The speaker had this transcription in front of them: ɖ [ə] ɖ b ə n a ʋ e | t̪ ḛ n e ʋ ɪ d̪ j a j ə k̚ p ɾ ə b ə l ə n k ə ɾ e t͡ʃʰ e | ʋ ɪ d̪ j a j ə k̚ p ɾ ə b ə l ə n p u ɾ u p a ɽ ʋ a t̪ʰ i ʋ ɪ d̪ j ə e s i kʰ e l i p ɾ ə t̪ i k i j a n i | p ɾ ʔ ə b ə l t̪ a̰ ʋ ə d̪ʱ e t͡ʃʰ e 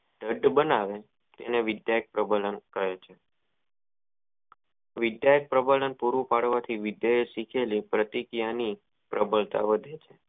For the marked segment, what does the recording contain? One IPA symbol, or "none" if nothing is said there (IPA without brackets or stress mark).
ə